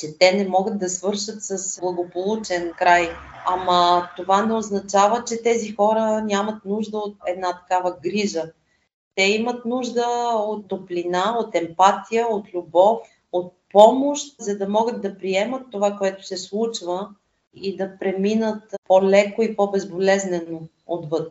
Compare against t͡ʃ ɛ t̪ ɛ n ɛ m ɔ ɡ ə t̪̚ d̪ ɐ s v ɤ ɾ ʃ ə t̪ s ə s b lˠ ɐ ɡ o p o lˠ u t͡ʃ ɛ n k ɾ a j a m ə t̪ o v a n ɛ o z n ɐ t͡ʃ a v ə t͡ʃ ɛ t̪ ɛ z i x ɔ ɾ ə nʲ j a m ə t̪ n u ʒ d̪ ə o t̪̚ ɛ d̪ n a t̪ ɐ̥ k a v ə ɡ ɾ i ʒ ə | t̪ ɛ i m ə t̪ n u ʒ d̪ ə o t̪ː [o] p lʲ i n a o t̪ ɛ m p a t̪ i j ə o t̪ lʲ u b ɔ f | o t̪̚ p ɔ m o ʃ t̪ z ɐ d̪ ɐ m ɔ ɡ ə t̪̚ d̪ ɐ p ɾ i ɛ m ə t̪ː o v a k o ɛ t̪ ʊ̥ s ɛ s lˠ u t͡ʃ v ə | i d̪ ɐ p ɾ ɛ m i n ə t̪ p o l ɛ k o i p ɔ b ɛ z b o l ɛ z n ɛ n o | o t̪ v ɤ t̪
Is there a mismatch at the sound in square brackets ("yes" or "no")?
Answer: no